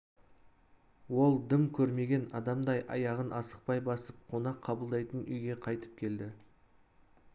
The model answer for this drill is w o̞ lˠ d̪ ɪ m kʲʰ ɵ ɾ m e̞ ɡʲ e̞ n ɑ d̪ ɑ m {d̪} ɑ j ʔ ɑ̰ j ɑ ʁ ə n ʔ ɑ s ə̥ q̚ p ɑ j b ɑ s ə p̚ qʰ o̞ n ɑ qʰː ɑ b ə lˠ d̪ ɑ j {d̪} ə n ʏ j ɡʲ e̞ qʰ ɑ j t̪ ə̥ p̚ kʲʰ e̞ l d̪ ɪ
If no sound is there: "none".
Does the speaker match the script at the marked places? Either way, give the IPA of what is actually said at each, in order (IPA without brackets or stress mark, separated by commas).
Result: d̪, t̪